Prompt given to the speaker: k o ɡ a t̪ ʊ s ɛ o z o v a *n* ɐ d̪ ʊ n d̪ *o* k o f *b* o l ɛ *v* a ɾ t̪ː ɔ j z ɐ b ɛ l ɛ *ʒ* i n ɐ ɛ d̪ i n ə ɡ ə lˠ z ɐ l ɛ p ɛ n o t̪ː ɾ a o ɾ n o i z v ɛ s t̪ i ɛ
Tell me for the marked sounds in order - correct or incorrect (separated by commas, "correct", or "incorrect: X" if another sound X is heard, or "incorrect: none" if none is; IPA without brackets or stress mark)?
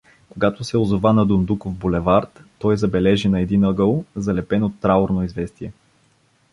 correct, incorrect: u, correct, correct, correct